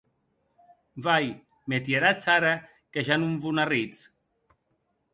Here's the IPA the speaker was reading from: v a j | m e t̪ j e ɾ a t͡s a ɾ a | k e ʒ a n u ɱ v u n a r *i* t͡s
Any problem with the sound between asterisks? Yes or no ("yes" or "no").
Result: no